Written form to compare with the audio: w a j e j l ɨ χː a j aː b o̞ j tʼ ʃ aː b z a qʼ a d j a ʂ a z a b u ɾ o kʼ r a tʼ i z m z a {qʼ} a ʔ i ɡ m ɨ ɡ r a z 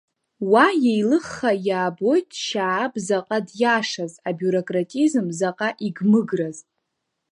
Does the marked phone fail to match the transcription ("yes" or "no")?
no